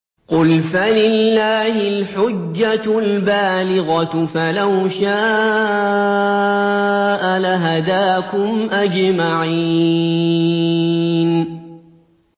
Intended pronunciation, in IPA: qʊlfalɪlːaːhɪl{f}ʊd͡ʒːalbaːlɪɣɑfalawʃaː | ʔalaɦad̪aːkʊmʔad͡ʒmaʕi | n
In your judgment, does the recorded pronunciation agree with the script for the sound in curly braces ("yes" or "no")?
no